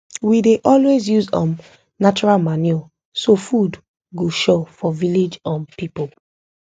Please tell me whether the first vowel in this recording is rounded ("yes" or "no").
no